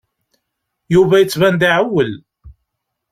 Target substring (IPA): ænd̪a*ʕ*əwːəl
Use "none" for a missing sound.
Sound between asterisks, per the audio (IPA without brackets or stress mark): ʕ